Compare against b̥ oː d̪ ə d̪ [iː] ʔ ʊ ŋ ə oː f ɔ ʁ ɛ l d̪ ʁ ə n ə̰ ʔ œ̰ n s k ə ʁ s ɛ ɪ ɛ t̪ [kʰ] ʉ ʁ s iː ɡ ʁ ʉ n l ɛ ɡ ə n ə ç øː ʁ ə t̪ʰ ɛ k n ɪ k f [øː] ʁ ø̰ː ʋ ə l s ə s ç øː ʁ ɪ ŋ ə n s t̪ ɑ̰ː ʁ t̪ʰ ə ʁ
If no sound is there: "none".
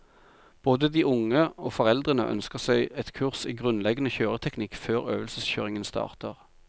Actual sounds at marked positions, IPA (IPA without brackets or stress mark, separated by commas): iː, kʰ, øː